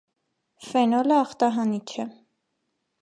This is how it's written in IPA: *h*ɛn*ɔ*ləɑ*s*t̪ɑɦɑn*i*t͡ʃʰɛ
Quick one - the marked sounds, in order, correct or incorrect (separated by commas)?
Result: incorrect, correct, incorrect, correct